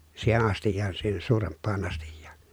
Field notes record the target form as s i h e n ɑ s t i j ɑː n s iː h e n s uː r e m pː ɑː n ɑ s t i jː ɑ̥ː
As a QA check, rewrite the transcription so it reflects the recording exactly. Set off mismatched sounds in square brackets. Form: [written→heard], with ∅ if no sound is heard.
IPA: s [i→iː] h e n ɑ s t i [j→jː] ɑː n s iː h e n s uː r e m pː ɑː n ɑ s t i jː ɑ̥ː